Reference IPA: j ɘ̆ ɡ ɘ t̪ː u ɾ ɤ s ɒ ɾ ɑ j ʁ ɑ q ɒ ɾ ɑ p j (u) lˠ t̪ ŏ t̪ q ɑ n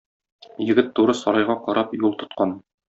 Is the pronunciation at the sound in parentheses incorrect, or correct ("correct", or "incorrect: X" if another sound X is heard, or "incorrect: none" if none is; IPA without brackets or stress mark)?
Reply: correct